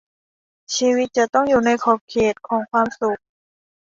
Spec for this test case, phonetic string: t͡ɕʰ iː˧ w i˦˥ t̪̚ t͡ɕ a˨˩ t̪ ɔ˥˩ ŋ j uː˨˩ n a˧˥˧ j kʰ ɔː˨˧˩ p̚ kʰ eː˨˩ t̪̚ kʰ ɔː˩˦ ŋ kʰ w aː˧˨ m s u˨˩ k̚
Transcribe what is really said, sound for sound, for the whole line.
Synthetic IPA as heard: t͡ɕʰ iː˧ w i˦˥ t̪̚ t͡ɕ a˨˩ t̪ ɔ˥˩ ŋ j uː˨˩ n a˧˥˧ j kʰ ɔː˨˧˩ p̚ kʰ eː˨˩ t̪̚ kʰ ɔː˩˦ ŋ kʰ w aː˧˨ m s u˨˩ k̚